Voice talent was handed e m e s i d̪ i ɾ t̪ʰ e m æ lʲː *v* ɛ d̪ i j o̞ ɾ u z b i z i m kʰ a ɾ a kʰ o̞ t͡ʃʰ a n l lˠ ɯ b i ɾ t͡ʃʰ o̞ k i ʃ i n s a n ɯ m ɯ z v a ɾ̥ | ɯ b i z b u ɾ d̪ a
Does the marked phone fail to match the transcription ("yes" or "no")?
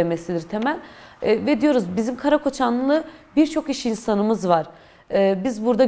no